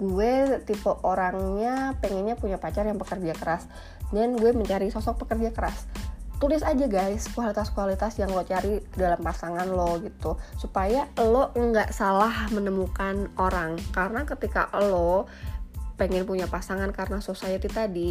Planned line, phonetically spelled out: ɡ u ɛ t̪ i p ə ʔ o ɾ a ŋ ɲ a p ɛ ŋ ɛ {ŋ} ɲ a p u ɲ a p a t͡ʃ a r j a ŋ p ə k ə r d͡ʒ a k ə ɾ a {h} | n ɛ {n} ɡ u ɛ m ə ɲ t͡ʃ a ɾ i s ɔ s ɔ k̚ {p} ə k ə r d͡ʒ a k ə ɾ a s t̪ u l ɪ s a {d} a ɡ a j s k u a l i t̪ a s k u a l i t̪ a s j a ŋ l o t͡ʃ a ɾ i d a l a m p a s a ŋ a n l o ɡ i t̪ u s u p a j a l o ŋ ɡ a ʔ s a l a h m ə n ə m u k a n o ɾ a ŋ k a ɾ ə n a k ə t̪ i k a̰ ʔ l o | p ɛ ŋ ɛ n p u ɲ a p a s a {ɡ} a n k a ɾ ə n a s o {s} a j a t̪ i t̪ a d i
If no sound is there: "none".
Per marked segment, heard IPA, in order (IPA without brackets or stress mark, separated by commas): n, s, n, p, d͡ʒ, ŋ, s